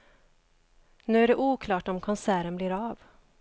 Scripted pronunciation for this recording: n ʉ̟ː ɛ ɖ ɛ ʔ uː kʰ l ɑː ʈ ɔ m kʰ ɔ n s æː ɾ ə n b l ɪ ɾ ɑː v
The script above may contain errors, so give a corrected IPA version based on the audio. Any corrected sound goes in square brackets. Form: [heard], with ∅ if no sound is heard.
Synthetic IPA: n ʉ̟ː [æ] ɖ ɛ ʔ uː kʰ l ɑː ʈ ɔ m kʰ ɔ n s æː ɾ ə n b l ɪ ɾ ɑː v